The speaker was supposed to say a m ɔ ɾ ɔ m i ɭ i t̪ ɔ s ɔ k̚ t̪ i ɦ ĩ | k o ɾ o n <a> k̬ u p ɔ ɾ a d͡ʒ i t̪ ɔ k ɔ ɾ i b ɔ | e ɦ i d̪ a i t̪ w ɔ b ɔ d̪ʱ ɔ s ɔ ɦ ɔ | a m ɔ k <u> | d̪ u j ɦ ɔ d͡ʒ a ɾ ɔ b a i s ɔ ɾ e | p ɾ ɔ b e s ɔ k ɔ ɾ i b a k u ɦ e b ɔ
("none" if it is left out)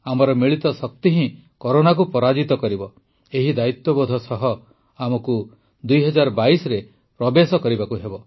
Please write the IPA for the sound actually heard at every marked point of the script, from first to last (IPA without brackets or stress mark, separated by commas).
a, u